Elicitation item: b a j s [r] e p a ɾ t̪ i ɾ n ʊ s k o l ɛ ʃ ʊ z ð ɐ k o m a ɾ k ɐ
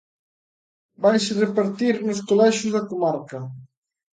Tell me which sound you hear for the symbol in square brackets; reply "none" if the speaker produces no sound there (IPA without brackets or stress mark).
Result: r